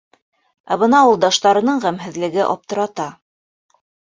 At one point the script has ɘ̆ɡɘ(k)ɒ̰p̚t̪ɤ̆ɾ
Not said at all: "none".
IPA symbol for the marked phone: ʔ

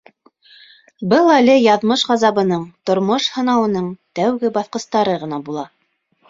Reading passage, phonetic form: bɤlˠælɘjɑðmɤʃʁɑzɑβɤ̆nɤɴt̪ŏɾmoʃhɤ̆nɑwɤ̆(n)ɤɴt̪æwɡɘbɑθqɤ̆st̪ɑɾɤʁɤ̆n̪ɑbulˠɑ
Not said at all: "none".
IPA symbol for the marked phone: n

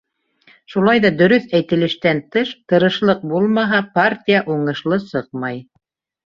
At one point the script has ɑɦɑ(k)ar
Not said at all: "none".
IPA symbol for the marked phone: p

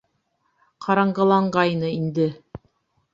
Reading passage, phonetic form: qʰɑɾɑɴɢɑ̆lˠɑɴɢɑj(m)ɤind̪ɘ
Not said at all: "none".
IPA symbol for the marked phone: n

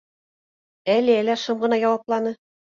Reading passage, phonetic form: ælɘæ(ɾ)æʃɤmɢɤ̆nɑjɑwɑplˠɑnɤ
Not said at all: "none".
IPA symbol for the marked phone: l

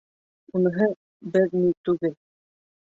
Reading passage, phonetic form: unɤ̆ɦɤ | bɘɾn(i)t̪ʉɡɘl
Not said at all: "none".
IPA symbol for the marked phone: i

